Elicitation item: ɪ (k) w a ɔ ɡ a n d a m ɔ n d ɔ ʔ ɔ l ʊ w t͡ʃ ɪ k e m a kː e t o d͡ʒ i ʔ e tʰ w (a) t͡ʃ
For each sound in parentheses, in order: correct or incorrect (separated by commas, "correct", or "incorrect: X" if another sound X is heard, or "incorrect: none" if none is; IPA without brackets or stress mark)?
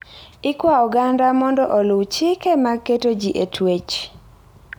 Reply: correct, incorrect: e